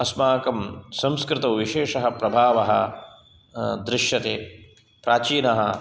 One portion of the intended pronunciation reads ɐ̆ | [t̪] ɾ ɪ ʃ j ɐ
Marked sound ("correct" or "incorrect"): incorrect